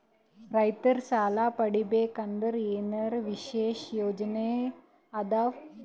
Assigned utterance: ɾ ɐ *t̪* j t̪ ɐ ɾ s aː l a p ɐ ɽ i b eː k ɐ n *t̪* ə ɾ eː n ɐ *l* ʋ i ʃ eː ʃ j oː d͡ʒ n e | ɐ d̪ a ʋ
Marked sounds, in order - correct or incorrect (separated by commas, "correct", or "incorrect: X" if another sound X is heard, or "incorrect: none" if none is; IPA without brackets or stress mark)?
incorrect: none, incorrect: d̪, incorrect: ɾ